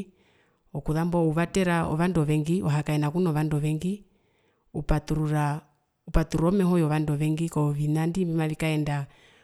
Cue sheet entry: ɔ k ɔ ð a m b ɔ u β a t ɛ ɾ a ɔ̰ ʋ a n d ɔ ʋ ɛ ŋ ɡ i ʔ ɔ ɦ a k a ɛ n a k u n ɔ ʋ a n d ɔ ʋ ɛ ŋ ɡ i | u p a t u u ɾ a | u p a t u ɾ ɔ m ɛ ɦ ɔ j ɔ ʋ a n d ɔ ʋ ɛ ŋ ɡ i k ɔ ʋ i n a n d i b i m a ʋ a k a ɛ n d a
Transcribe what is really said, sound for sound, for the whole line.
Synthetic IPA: ɔ k u ð a m b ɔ u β a t ɛ ɾ a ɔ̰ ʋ a n d ɔ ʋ ɛ ŋ ɡ i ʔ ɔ ɦ a k a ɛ n a k u n ɔ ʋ a n d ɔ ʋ ɛ ŋ ɡ i | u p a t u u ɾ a | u p a t u ɾ ɔ m ɛ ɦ ɔ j ɔ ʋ a n d ɔ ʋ ɛ ŋ ɡ i k ɔ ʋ i n a n d i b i m a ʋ i k a ɛ n d a